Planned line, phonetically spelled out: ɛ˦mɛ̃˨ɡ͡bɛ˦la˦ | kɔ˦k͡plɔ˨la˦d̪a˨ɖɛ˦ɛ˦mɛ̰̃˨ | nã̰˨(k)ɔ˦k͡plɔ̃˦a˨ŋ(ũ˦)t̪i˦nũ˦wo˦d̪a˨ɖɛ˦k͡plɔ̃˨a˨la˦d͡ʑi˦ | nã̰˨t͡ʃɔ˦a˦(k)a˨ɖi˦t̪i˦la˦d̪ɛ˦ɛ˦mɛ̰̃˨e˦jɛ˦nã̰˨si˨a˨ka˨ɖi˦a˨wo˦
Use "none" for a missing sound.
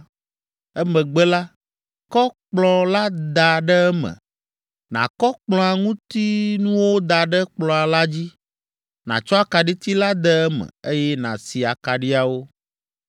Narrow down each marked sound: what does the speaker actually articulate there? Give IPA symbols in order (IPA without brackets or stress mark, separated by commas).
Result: k, ũ˦, k